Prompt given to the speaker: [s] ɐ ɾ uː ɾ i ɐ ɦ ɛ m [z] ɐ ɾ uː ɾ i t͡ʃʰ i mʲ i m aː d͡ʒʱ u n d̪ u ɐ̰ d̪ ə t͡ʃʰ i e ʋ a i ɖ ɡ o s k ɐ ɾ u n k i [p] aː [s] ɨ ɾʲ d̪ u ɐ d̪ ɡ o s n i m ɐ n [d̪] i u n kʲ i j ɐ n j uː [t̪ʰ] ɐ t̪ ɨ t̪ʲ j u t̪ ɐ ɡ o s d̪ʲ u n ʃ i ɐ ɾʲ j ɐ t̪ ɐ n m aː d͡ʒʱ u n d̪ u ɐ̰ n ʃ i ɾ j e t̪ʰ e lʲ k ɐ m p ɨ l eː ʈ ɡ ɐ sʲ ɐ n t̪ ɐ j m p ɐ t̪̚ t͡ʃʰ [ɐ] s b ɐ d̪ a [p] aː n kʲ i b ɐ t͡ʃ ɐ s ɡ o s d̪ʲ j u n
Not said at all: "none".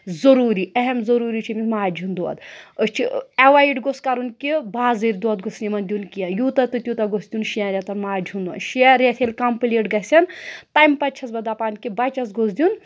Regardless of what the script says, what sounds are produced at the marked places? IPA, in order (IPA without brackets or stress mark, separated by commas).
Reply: z, z, b, z, d̪, t̪, ɐ, p